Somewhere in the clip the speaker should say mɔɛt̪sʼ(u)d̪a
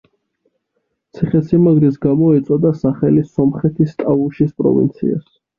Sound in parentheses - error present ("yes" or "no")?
yes